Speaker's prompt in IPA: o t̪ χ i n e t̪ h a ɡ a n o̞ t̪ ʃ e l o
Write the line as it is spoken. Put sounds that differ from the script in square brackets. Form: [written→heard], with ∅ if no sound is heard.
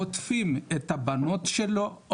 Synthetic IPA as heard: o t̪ [χ→f] i [n→m] e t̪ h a [ɡ→b] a n o̞ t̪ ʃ e l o